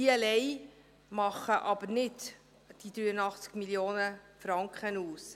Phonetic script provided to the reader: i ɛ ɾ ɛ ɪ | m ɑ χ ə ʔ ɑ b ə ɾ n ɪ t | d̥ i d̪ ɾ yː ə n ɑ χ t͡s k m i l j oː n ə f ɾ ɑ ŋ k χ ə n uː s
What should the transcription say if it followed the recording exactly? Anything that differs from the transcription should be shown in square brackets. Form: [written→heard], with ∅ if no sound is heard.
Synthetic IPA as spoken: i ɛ [ɾ→l] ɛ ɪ | m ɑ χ ə ʔ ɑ b ə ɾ n ɪ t | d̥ i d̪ ɾ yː ə n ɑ χ t͡s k m i l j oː n ə f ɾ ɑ ŋ k χ ə n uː s